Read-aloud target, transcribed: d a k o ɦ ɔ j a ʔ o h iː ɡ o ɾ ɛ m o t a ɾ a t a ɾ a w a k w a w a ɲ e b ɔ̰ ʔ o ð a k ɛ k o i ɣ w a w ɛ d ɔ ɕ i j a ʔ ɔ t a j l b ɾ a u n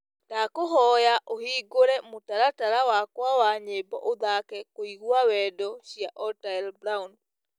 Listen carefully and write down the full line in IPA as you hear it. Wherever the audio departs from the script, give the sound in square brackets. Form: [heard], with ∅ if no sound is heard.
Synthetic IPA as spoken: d a k o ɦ ɔ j a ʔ o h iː ɡ o ɾ ɛ m o t a ɾ a t a ɾ a w a k w a w a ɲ e b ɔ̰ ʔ o ð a k ɛ k o i ɣ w a w ɛ d ɔ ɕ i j a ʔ ɔ t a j l b ɾ a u n